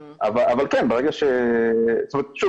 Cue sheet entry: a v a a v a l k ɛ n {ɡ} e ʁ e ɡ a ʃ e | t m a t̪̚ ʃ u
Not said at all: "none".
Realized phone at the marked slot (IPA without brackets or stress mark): b